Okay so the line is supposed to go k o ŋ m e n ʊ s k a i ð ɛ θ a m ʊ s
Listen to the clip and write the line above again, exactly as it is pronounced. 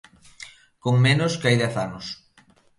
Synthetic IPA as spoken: k o ŋ m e n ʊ s k a j ð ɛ θ a n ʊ s